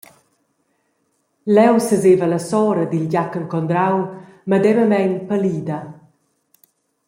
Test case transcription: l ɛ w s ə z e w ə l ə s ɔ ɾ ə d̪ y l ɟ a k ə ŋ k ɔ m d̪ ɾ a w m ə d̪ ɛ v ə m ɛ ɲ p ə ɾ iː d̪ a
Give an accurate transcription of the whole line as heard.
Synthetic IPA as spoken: l ɛ w s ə z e v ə l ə s ɔ ɾ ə d̪ i l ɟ a k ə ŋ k ɔ n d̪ ɾ a w m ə d̪ ɛ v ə m ɛ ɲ p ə l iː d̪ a

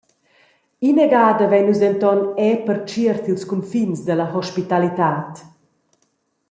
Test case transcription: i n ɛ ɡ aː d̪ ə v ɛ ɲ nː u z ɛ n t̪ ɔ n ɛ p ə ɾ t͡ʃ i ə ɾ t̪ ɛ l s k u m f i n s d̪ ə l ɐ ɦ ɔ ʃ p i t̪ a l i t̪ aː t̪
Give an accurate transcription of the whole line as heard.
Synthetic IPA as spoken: i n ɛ ɡ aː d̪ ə v ɛ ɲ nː u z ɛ n t̪ ɔ n ɛ p ə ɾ t͡ʃ i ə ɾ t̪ i l s k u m f i n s d̪ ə l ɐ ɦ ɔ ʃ p i t̪ a l i t̪ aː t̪

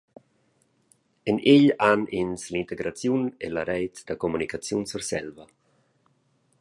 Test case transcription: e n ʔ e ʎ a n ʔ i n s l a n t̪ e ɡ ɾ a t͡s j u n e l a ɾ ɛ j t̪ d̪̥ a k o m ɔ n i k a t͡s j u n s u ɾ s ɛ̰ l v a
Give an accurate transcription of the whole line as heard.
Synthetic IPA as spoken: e n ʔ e ʎ a n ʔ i n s l i n t̪ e ɡ ɾ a t͡s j u n e l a ɾ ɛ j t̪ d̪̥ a k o m u n i k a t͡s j u n s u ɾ s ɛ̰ l v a

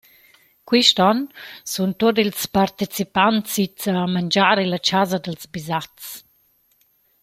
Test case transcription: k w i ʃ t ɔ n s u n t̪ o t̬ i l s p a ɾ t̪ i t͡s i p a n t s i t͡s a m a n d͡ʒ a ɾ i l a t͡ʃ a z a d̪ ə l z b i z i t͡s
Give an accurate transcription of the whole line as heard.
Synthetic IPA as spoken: k w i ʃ t ɔ n s u n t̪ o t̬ i l s p a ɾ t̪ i t͡s i p a n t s i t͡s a m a n d͡ʒ a ɾ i l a t͡ʃ a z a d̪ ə l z b i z a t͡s

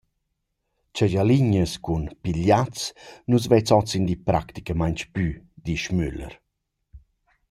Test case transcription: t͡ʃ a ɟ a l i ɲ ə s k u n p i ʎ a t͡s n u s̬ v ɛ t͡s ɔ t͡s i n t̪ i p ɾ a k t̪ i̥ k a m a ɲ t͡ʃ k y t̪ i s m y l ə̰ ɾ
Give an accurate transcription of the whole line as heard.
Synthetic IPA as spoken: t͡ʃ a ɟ a l i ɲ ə s k u n p i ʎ a t͡s n u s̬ v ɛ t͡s ɔ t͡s i n d̪ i p ɾ a k t̪ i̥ k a m a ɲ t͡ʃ p y d̪ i ʃ m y l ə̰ ɾ

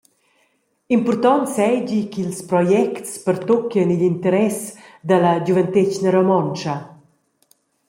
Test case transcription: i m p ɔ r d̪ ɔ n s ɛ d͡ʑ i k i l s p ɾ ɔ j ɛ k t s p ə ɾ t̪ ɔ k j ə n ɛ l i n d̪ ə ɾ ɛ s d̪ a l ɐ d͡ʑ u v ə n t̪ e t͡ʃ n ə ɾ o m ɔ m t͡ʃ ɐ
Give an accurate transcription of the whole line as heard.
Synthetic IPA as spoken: i m p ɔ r t̪ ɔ n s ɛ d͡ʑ i k i l s p ɾ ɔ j ɛ k t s p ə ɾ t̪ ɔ k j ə n i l i n t̪ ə ɾ ɛ s d̪ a l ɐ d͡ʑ u v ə n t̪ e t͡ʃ n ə ɾ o m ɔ n t͡ʃ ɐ

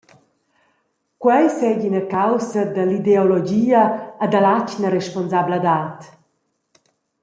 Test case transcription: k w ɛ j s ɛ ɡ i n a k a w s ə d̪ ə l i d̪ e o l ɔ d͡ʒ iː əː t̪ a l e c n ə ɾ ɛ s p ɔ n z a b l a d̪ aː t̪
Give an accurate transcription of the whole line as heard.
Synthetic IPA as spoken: k w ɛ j s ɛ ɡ i n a k a w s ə d̪ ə l i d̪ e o l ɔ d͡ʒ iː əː d̪ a l a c n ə ɾ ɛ ʃ p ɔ n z a b l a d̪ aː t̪

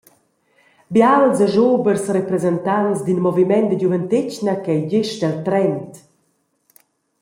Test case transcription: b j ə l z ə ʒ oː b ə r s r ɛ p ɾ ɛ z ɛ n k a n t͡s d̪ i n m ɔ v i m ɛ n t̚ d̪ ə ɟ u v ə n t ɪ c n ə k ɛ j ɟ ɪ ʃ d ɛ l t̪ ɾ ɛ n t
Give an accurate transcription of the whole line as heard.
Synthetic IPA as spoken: b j a l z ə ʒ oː b ə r s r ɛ p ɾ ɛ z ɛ n t a n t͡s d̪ i n m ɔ v i m ɛ n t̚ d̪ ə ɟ u v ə n t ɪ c n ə k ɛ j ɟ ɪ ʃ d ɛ l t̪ ɾ ɛ n t

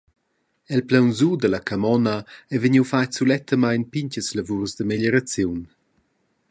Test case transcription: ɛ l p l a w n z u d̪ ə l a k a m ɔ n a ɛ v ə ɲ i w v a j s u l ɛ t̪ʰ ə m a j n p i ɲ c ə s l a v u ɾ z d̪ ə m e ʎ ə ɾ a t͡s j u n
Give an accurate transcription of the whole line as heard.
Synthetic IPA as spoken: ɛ l p l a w n z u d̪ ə l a k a m ɔ n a ɛ v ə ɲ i w f a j s u l ɛ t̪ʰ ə m a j n p i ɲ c ə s l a v u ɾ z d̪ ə m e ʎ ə ɾ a t͡s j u n

